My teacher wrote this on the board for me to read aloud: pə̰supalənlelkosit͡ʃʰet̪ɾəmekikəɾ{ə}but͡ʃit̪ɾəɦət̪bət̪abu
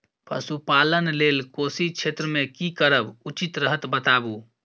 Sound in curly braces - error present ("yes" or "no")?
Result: no